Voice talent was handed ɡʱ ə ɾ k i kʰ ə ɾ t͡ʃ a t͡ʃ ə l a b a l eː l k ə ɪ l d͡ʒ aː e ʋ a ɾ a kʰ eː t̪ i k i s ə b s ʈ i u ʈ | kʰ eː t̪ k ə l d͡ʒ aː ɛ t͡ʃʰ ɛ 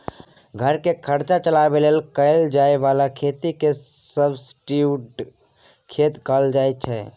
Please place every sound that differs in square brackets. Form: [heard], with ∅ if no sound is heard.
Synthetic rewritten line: ɡʱ ə ɾ k [e] kʰ ə ɾ t͡ʃ a t͡ʃ ə l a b [e] l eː l k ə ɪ l d͡ʒ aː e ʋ a [l] a kʰ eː t̪ i k [e] s ə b s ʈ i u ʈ | kʰ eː t̪ k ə l d͡ʒ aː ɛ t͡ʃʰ ɛ